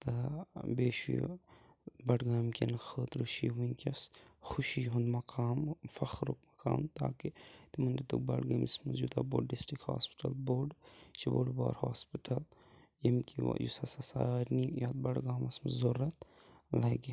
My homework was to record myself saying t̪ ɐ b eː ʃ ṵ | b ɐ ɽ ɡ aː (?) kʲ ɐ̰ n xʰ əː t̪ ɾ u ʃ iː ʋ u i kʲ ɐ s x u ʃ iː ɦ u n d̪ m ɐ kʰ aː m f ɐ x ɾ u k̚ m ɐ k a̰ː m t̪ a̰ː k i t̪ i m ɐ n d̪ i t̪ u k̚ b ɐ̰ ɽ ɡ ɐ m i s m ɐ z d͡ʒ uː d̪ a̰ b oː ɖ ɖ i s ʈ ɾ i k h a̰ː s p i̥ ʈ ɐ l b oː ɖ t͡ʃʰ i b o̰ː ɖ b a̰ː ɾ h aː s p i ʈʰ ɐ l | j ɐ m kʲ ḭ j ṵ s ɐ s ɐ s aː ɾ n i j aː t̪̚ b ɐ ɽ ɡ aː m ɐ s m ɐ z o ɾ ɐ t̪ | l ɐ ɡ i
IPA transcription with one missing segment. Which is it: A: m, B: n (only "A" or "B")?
A